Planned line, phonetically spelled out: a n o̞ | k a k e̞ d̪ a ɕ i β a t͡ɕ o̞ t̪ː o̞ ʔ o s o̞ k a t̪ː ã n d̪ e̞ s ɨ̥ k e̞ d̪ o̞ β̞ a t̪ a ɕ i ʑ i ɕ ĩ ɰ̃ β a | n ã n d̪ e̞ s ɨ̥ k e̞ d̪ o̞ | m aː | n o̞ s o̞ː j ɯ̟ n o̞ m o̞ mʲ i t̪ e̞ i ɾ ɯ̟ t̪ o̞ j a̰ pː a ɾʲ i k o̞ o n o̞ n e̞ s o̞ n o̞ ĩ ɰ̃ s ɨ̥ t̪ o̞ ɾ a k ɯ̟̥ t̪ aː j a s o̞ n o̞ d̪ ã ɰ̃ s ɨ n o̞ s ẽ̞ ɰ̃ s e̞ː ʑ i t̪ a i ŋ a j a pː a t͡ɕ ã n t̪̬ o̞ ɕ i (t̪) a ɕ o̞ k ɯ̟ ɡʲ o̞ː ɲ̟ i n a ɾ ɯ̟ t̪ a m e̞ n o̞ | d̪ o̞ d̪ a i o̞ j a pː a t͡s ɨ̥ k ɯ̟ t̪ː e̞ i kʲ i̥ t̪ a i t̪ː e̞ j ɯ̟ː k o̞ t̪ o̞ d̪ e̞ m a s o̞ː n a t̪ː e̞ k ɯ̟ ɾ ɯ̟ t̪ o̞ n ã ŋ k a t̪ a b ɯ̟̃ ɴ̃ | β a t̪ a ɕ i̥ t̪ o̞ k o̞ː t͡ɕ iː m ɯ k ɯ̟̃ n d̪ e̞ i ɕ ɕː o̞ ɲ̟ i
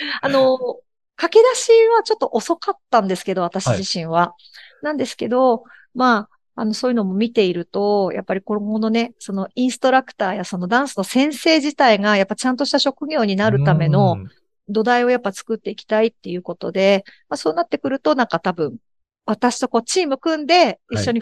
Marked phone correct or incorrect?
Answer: correct